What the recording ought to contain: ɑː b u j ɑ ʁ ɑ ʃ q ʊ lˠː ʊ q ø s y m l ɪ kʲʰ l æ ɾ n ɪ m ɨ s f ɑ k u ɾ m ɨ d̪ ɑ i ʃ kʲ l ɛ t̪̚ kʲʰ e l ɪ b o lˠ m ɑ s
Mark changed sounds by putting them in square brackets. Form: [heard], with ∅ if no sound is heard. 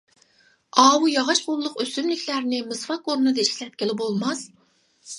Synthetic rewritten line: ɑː [w] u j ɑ ʁ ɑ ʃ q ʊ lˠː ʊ q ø s y m l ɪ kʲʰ l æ ɾ n ɪ m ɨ s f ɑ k [o] ɾ [n] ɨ d̪ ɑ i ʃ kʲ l ɛ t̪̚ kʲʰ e l ɪ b o lˠ m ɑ s